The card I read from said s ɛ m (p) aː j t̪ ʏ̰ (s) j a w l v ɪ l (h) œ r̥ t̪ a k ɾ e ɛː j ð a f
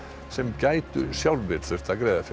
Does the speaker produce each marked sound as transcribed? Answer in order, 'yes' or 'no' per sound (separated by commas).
no, yes, no